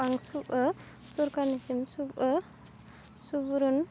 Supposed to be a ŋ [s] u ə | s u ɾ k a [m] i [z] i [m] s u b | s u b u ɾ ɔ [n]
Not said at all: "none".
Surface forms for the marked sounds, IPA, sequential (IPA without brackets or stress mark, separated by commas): s, n, s, m, n